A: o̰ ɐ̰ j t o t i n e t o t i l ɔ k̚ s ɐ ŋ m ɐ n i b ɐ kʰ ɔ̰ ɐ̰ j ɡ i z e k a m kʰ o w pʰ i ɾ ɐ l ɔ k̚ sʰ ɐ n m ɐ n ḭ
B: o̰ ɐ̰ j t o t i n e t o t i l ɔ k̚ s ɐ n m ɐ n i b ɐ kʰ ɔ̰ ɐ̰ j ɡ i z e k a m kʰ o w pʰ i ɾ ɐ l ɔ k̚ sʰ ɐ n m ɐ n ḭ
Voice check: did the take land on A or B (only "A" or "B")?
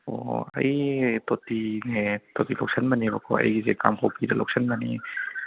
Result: B